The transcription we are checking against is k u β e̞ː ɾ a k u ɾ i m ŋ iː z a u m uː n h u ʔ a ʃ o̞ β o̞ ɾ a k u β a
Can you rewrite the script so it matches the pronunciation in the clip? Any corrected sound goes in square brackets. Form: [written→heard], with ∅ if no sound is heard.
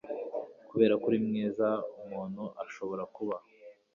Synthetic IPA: k u β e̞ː ɾ a k u ɾ i m ŋ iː z a u m uː n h u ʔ a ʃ o̞ β o̞ ɾ a k u β a